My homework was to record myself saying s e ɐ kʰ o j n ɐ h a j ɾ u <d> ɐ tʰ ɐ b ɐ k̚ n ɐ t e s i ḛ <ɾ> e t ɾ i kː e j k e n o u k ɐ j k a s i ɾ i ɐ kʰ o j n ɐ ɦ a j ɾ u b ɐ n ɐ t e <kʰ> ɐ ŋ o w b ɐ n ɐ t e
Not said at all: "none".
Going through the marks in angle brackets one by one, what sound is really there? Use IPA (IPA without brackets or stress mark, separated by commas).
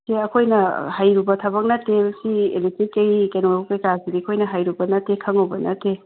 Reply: b, l, kʰ